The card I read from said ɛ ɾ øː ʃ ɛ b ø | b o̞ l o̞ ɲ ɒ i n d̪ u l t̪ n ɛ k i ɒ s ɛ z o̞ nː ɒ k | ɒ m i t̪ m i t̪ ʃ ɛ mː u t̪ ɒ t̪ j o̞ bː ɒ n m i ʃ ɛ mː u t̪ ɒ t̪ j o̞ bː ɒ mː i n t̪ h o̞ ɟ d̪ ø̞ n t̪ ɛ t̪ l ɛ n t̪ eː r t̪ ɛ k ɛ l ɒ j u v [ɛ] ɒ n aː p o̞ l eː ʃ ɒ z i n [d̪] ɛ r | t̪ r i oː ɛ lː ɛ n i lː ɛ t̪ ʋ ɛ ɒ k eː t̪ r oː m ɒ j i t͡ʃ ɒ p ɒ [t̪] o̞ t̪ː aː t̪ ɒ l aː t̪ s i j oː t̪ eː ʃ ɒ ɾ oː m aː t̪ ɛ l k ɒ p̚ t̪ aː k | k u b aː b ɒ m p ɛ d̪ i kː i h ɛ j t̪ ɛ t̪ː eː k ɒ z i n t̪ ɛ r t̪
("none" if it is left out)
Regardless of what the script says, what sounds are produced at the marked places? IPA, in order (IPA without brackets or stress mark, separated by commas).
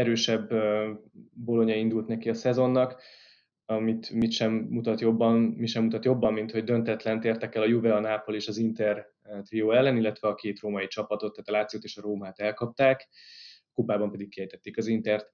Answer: ɛ, t̪, t̪